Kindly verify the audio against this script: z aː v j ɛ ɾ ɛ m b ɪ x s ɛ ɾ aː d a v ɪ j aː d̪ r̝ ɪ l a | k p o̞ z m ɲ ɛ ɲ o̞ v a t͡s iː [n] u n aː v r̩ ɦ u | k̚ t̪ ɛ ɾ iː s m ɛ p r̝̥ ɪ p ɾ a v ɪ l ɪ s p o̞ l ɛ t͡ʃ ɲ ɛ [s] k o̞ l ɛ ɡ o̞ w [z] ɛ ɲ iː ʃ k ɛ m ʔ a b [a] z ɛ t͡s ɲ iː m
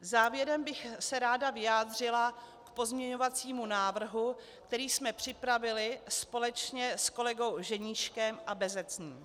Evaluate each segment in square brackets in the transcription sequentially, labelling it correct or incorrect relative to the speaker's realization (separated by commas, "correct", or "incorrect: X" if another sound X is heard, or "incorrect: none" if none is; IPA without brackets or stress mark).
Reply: incorrect: m, correct, incorrect: ʒ, incorrect: ɛ